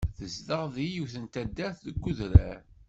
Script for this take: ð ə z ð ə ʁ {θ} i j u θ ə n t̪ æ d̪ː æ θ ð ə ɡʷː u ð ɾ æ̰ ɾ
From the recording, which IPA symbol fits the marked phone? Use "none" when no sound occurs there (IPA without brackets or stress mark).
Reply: ð